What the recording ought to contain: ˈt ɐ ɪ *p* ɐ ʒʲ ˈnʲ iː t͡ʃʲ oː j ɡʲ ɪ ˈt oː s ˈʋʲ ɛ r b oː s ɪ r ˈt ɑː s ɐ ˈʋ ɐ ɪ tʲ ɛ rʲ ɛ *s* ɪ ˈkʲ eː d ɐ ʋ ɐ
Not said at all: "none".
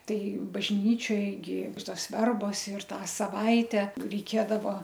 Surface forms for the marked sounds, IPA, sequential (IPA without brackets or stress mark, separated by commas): b, none